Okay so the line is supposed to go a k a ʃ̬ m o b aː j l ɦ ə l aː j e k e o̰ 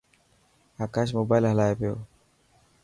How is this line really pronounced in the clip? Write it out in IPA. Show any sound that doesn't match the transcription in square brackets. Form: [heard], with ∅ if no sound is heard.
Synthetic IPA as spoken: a k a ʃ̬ m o b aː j l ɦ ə l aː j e [p] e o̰

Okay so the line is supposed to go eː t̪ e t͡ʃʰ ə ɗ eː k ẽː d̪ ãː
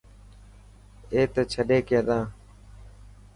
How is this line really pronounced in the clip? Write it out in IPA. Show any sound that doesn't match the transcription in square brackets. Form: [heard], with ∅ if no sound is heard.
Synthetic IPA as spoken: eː t̪ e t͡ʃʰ ə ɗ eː k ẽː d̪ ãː

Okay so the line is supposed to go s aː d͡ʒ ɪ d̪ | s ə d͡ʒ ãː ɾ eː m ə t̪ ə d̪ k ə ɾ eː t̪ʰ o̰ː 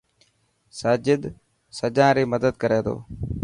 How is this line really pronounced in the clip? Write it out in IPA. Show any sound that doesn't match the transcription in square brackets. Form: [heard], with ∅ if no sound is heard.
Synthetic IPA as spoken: s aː d͡ʒ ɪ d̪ | s ə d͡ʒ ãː ɾ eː m ə [d̪] ə d̪ k ə ɾ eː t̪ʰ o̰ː

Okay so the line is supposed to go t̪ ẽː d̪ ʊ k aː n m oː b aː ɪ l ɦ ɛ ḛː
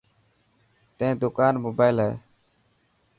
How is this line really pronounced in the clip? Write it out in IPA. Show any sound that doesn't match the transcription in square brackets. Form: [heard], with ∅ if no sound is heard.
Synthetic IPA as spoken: t̪ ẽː d̪ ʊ k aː n m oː b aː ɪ l ɦ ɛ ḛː

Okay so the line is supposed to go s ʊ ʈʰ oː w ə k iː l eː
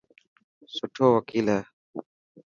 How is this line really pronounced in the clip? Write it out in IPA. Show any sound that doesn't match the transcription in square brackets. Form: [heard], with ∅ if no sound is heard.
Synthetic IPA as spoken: s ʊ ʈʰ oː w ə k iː l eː

